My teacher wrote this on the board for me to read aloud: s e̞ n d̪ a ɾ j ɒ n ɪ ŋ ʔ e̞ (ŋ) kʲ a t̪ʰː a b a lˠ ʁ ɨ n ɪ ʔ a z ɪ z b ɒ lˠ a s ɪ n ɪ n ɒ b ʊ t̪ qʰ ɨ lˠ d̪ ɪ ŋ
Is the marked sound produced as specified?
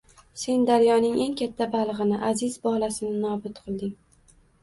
yes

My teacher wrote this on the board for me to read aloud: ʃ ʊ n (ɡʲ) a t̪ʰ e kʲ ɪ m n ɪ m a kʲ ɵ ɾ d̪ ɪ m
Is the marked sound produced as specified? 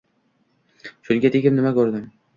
yes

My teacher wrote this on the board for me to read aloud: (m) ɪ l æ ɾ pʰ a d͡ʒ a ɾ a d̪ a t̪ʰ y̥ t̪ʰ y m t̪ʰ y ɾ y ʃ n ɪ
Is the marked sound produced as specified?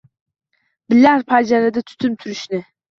no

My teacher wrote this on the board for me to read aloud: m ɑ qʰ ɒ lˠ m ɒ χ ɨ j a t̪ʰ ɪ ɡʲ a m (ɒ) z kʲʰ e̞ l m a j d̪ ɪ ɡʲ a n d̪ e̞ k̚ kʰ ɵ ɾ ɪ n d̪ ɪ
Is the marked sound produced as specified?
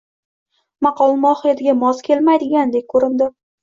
yes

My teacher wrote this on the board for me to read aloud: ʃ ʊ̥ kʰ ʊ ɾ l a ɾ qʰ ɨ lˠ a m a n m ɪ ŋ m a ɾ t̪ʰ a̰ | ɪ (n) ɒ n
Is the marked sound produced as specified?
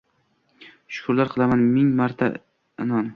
yes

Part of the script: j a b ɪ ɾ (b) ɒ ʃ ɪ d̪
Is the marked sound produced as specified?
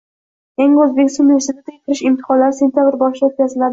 yes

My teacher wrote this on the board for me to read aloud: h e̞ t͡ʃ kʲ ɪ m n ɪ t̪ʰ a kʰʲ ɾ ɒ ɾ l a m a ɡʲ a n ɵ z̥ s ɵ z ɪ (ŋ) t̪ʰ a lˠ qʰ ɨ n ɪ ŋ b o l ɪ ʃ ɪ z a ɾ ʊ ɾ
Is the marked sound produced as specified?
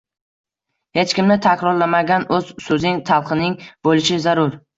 yes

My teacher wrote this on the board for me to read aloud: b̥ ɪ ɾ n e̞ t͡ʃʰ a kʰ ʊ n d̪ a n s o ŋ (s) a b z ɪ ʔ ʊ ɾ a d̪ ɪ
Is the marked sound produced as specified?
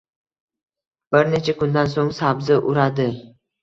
yes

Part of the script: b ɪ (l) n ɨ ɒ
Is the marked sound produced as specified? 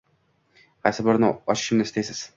no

